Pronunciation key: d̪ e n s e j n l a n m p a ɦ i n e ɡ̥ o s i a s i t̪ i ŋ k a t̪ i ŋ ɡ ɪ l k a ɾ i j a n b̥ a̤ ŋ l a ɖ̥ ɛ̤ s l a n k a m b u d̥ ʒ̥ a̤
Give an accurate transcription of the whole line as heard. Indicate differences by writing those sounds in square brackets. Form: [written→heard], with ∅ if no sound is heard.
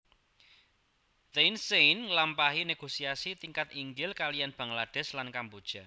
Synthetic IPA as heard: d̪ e n s e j n l a [n→∅] m p a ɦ i n e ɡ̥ o s i a s i t̪ i ŋ k a t̪ i ŋ ɡ ɪ l k a [ɾ→l] i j a n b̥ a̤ ŋ l a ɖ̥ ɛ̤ s l a n k a m b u d̥ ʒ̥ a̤